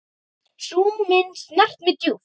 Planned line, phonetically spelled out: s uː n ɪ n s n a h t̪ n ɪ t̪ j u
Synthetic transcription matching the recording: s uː m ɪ n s n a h t̪ m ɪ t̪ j u